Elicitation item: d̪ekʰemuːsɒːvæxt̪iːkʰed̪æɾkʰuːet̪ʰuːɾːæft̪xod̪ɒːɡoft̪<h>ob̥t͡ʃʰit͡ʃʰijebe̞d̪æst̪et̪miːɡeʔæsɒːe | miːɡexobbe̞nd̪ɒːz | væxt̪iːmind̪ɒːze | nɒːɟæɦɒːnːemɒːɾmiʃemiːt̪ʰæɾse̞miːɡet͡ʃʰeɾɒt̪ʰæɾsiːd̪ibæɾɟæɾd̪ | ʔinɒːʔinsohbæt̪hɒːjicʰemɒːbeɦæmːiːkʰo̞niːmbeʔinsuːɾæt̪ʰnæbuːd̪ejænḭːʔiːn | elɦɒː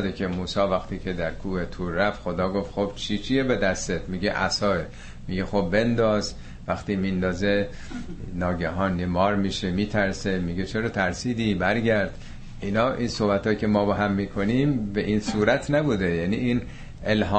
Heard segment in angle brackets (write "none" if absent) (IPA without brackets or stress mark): x